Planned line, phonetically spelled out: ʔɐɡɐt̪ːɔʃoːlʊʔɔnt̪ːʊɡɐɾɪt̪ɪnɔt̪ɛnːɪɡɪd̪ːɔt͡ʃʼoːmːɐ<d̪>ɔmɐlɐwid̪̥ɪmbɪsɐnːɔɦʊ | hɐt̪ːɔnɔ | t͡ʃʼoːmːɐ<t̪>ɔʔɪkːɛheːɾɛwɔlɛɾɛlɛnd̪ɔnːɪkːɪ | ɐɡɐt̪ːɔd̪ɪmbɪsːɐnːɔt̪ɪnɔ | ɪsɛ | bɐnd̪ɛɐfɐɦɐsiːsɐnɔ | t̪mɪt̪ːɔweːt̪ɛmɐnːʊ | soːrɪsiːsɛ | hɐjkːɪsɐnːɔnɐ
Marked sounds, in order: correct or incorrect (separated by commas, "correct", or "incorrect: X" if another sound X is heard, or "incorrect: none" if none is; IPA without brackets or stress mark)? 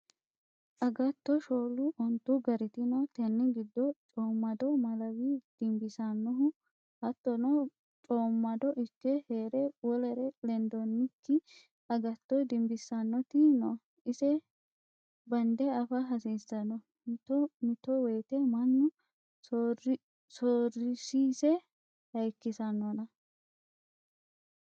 correct, incorrect: d̪